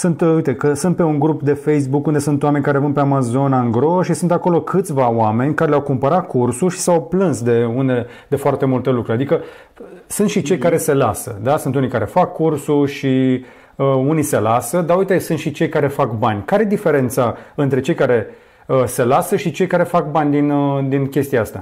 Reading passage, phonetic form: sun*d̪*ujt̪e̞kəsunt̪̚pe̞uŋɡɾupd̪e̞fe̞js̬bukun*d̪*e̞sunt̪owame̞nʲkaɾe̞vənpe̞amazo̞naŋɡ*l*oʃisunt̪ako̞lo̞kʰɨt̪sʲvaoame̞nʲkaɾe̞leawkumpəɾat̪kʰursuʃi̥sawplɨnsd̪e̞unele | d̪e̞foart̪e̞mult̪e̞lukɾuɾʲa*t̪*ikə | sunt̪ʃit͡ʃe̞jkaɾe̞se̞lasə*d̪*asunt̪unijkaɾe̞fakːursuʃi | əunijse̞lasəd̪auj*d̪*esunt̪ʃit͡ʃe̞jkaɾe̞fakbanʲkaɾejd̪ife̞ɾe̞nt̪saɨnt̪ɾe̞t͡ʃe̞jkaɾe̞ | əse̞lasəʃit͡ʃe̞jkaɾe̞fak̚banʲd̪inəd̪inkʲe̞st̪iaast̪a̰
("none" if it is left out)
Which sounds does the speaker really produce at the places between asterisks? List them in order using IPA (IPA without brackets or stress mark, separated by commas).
t̪, d̪, ɾ, d̪, d̪, t̪